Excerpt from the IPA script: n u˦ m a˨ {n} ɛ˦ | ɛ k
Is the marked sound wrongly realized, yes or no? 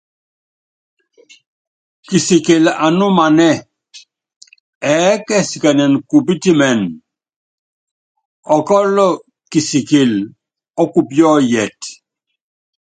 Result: no